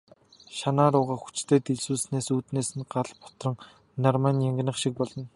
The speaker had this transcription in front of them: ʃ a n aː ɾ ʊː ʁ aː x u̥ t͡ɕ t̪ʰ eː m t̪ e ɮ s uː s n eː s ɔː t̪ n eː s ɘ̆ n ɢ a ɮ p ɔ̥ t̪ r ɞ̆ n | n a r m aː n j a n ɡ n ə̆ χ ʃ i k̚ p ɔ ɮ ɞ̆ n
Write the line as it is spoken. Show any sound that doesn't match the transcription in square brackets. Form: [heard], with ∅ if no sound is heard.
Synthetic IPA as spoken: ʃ a n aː ɾ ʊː ʁ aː x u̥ t͡ɕ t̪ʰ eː [∅] t̪ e ɮ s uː s n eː s [uː] t̪ n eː s ɘ̆ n ɢ a ɮ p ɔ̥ t̪ r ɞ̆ [ŋ] | n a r m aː n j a [ŋ] ɡ n ə̆ χ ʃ i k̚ p ɔ ɮ ɞ̆ n